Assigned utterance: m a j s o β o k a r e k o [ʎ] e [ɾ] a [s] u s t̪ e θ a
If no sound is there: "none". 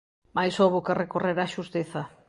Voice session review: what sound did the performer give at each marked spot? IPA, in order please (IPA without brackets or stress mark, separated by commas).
r, ɾ, ʃ